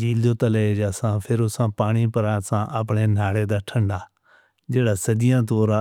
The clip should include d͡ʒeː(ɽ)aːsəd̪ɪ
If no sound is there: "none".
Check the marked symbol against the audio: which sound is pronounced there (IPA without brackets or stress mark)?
ɽ